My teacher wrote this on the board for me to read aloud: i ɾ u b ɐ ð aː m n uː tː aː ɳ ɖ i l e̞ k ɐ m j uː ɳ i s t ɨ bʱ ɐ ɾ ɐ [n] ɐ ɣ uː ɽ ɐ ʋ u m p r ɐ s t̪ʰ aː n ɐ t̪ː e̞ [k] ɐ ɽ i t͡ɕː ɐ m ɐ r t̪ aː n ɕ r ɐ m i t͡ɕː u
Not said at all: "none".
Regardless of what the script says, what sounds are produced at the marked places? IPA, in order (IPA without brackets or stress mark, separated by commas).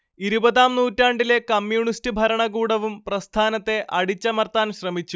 ɳ, ʔ